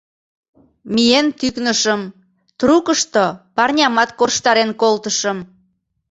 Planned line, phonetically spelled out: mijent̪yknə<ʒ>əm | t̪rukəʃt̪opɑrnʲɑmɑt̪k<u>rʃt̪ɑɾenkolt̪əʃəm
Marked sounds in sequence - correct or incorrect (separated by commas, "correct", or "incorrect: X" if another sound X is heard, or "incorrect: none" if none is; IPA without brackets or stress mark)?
incorrect: ʃ, incorrect: o